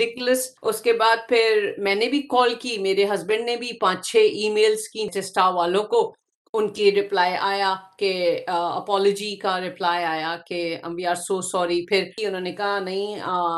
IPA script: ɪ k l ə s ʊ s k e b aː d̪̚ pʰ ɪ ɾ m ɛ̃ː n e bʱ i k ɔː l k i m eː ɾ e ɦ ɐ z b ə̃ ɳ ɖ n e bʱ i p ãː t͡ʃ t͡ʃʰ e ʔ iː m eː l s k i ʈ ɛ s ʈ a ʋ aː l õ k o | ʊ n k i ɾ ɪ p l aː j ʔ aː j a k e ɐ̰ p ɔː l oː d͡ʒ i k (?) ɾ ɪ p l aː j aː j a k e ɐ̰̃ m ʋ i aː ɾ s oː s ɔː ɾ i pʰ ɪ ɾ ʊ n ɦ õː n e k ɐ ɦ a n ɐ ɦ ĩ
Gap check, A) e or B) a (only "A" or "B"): B